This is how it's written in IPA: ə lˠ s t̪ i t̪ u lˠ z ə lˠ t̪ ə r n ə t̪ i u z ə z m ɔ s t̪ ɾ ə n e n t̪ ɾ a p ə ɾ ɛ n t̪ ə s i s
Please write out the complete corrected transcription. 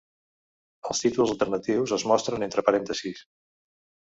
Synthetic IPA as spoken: ə lˠ s t̪ i t̪ u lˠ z ə lˠ t̪ ə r n ə t̪ i w z ə z m ɔ s t̪ ɾ ə n e n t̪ ɾ ə p ə ɾ ɛ n t̪ ə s i s

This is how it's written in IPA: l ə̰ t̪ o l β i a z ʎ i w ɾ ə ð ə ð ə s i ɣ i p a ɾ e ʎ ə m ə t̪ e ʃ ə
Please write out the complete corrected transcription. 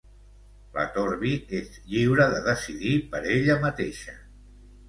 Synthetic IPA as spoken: l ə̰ t̪ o ɾ β i e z ʎ i w ɾ ə ð ə ð ə s i ð i p ə ɾ e ʎ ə m ə t̪ e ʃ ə

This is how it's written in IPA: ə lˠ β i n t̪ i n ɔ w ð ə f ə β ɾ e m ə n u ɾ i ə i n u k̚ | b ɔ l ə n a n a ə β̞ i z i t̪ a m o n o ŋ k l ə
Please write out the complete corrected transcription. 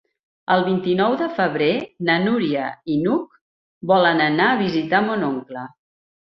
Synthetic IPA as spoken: ə lˠ β i n t̪ i n ɔ w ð ə f ə β ɾ e n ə n u ɾ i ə i n u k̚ | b ɔ l ə n ə n a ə β̞ i z i t̪ a m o n o ŋ k l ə

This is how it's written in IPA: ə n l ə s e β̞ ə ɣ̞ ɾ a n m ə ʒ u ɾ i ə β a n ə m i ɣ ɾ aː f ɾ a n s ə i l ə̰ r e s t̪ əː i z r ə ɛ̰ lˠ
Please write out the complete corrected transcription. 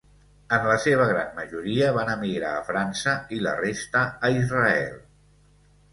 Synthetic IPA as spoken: ə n l ə s e β̞ ə ɣ̞ ɾ a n m ə ʒ u ɾ i ə β a n ə m i ɣ ɾ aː f ɾ a n s ə i l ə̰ r e s t̪ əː i z r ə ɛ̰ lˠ

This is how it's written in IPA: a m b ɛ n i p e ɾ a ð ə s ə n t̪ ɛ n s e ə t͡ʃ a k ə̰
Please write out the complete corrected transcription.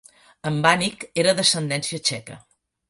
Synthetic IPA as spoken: ə m b a n i k e ɾ ə ð ə s ə n d̪ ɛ n s i ə t͡ʃ ɛ k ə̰

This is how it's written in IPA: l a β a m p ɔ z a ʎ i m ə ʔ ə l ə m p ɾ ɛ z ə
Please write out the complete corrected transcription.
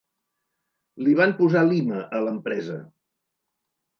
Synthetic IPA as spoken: l i β a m p u z a l i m ə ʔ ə l ə m p ɾ ɛ z ə

